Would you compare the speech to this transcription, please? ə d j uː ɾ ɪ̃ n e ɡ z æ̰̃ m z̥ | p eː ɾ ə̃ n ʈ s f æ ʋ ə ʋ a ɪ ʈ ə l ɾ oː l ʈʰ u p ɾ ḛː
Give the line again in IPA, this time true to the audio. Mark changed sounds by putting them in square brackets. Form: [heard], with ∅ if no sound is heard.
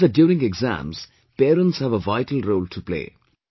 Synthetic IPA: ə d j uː ɾ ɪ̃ [ŋ] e ɡ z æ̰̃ m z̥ | p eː ɾ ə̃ n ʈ s [h] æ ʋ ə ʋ a ɪ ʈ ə l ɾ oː l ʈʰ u p [l] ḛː

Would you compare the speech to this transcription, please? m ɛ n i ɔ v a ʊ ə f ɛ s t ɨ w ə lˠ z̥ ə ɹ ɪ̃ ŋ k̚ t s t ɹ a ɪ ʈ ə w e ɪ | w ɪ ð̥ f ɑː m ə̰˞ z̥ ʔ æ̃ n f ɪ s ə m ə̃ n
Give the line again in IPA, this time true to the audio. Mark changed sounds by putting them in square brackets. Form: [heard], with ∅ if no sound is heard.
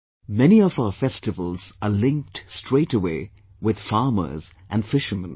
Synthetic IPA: m ɛ n i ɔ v a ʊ ə f ɛ s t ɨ [v] ə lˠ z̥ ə [l] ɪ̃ ŋ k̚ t s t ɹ [e] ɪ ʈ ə w e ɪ | w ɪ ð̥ f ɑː m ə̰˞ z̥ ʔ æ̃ n f ɪ [ʃ] ə m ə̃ n

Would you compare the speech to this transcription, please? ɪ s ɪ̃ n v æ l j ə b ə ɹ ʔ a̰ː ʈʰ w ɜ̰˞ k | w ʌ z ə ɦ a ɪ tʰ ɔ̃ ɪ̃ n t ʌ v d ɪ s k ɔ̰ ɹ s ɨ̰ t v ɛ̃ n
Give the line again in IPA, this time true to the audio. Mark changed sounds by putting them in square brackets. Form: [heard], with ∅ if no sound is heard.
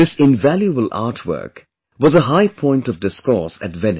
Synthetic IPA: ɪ s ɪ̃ n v æ l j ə b ə [l] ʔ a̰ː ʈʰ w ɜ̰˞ k | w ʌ z ə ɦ a ɪ [pʰ] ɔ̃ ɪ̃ n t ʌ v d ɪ s k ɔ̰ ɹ s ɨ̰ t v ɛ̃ n

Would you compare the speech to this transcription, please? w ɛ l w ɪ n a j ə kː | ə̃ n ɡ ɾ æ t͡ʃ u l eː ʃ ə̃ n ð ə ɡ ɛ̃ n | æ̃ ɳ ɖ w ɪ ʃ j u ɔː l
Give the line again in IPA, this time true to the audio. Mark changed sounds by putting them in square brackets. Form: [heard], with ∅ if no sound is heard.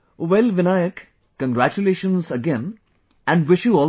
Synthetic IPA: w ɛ l [ʋ] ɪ n a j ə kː | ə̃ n ɡ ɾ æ t͡ʃ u l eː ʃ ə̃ n [z] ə ɡ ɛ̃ n | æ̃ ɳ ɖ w ɪ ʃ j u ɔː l

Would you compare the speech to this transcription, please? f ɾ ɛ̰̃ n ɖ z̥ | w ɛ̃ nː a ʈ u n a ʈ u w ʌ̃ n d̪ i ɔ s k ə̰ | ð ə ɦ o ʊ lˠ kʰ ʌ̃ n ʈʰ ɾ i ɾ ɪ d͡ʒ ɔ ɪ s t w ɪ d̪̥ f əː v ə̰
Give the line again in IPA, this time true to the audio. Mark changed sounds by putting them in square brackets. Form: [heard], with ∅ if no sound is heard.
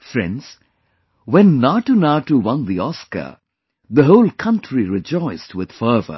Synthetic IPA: f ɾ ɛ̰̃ n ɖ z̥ | w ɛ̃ nː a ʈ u n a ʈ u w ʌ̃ n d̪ i ɔ s k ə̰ | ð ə ɦ o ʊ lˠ kʰ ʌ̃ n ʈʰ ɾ i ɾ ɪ d͡ʒ ɔ ɪ s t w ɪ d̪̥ f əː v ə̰

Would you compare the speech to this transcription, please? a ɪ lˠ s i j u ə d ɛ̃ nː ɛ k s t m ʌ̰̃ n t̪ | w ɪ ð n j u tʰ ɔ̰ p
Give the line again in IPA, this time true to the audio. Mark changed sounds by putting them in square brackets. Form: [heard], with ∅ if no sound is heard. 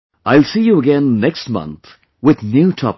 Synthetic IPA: a ɪ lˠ s i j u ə [ɡ] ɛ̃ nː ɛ k s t m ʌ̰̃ n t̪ | w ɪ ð n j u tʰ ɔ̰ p

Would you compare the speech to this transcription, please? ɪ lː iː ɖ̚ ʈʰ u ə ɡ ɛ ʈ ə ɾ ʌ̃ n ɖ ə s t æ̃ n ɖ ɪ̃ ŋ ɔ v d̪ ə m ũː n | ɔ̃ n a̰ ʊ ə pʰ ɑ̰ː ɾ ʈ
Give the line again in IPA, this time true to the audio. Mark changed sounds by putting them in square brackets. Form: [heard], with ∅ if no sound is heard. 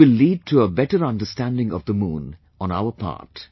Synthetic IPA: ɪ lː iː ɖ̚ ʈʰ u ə [b] ɛ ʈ ə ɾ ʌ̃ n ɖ ə s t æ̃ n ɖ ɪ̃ ŋ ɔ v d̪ ə m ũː n | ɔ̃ n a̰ ʊ ə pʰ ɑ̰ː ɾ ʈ

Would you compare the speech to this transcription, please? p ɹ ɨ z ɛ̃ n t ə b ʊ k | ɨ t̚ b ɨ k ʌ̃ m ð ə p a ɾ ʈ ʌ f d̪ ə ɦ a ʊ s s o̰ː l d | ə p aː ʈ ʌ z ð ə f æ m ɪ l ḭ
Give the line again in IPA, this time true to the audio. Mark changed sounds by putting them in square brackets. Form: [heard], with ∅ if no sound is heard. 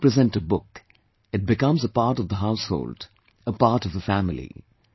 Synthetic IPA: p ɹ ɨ z ɛ̃ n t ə b ʊ k | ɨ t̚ b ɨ k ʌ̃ m [z] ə p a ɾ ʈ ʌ [v] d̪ ə ɦ a ʊ s [h] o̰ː l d | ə p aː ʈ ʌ [v] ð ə f æ m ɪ l ḭ

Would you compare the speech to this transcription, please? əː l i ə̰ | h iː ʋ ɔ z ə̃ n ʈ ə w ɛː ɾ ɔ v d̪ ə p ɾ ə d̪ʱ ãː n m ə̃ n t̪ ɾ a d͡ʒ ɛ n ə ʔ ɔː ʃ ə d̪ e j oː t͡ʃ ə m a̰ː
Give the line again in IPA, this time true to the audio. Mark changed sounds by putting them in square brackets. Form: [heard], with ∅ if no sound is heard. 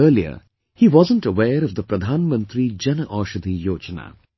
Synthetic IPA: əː l i ə̰ | h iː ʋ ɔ z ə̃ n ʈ ə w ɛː ɾ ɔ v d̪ ə p ɾ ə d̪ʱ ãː n m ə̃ n t̪ ɾ [i] d͡ʒ ɛ n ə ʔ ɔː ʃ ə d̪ [i] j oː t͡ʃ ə [n] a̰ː

